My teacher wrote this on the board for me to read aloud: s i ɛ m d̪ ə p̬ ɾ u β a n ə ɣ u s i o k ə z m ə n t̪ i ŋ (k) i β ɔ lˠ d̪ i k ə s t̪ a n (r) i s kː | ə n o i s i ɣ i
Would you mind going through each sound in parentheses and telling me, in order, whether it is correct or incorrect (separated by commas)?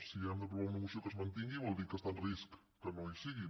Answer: incorrect, correct